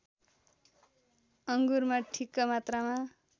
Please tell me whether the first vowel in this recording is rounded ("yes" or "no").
no